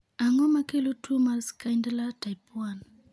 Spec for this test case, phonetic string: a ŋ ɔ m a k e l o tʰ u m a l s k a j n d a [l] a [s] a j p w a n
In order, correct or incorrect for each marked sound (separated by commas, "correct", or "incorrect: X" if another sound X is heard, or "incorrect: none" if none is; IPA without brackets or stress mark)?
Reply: correct, incorrect: t